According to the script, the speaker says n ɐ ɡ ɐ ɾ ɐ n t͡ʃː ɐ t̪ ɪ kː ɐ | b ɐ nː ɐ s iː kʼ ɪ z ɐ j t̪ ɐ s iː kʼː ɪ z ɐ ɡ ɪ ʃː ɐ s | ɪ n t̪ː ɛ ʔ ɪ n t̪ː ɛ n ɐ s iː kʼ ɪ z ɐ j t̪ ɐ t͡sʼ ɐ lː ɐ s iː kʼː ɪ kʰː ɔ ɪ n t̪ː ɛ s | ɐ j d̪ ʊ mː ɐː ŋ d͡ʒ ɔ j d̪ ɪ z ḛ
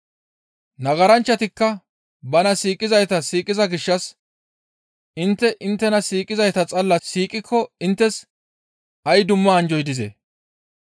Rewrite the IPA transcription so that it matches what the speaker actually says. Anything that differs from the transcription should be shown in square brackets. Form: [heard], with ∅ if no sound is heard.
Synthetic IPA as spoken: n ɐ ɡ ɐ ɾ ɐ n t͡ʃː ɐ t̪ ɪ kː ɐ | b ɐ [n] ɐ s iː kʼ ɪ z ɐ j t̪ ɐ s iː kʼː ɪ z ɐ ɡ ɪ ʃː ɐ s | ɪ n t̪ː ɛ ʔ ɪ n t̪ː ɛ n ɐ s iː kʼ ɪ z ɐ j t̪ ɐ t͡sʼ ɐ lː ɐ s iː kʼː ɪ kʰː ɔ ɪ n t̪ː ɛ s | ɐ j d̪ ʊ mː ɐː [n] d͡ʒ ɔ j d̪ ɪ z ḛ